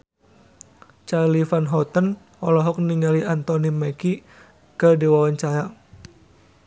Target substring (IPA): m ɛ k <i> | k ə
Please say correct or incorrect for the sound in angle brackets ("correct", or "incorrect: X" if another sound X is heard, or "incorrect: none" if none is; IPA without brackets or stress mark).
correct